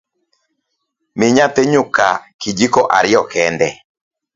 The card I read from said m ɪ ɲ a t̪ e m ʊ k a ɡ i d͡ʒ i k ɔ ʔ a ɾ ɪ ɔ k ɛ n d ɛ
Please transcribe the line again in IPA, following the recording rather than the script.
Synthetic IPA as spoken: m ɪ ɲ a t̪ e ɲ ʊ k a k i d͡ʒ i k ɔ ʔ a ɾ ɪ ɔ k ɛ n d ɛ